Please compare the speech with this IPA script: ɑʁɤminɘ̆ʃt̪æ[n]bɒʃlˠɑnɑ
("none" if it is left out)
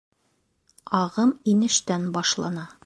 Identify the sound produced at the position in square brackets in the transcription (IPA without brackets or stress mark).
n